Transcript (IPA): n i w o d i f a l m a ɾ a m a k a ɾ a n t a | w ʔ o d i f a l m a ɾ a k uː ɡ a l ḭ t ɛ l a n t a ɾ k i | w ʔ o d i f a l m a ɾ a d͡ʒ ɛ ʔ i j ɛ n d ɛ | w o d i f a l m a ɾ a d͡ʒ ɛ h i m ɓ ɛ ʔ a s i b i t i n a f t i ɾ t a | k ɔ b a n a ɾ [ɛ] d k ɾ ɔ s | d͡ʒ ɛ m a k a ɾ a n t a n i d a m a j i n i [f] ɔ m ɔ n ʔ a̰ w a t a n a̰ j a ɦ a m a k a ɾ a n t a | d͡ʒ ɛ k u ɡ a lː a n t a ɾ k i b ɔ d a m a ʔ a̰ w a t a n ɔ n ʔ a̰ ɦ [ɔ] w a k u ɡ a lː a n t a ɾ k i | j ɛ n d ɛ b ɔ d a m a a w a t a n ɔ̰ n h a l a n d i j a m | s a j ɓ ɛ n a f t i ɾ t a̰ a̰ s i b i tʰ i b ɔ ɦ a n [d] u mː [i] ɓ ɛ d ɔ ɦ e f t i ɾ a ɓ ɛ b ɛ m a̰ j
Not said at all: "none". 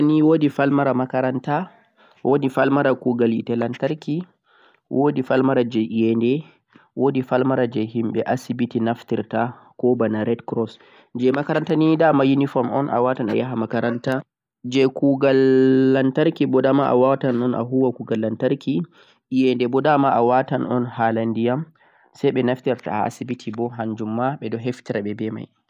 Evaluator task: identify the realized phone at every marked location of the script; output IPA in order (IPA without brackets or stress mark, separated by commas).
ɛ, f, u, d͡ʒ, a